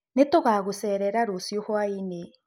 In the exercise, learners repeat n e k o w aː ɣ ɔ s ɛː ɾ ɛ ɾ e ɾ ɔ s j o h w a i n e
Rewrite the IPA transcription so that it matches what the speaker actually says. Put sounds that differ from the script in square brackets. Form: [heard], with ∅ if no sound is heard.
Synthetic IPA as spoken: n e [t] o [ɣ] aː ɣ [o] s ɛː ɾ ɛ ɾ [a] ɾ [o] s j o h w a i n e